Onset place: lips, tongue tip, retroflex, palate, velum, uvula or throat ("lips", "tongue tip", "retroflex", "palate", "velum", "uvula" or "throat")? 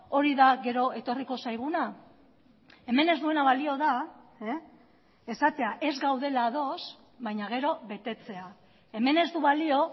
tongue tip